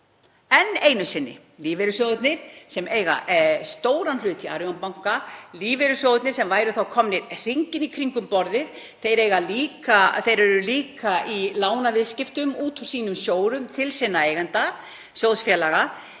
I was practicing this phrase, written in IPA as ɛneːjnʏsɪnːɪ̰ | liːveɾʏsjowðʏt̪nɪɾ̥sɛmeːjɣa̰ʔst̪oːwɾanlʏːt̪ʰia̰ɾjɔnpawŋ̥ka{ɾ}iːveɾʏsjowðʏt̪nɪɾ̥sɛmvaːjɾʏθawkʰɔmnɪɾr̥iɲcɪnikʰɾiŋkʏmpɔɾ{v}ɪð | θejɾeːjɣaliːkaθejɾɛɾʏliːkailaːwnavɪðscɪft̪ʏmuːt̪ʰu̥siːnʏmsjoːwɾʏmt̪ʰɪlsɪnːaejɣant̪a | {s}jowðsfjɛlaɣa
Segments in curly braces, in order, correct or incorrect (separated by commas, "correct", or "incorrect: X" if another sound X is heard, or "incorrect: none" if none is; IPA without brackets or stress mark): incorrect: l, incorrect: ð, correct